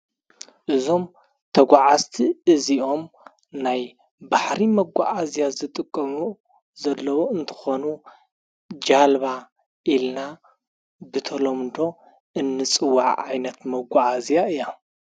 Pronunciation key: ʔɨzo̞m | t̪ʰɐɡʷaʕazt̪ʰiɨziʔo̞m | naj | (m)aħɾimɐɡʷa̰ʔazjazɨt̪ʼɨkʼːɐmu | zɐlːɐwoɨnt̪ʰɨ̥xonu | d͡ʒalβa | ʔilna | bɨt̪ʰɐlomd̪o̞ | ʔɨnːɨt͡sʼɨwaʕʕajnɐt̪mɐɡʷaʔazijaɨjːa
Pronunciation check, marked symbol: incorrect: b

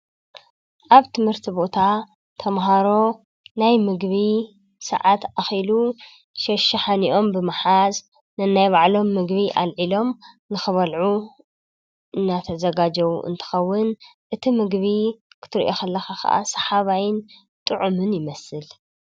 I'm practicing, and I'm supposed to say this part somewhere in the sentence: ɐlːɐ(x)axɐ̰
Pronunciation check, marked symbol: correct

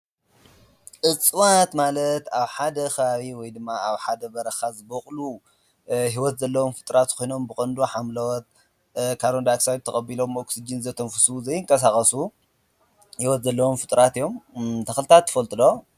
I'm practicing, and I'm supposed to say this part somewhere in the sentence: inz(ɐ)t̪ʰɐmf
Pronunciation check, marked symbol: correct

